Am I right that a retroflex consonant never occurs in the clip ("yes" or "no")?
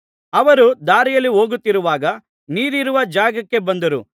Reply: yes